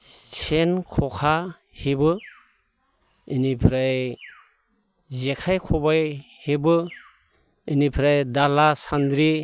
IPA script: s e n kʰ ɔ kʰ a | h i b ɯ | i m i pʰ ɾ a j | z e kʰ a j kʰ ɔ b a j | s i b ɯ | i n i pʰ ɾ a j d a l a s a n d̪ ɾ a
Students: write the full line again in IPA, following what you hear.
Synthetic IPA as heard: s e n kʰ ɔ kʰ a | h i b ɯ | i n i pʰ ɾ a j | z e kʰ a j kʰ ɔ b a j | h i b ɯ | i n i pʰ ɾ a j d a l a s a n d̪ ɾ i